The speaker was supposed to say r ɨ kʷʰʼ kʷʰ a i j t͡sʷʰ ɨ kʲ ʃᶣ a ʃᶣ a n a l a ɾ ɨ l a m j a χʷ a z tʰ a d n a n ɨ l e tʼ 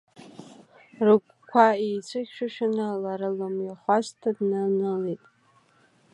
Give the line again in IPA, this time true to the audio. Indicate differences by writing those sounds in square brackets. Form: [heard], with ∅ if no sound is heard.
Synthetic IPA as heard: r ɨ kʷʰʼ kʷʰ a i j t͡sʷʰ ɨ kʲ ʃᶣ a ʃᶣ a n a l a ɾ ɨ l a m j a χʷ a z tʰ a d n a n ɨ l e tʼ